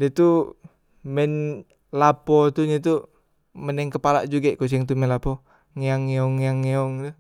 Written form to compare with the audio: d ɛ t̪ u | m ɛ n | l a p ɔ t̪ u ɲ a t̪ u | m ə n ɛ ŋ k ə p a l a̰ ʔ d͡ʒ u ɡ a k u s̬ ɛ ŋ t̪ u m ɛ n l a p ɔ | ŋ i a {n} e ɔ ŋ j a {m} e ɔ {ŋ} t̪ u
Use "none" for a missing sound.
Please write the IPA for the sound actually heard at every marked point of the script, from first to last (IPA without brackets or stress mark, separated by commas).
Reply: ŋ, ŋ, ŋ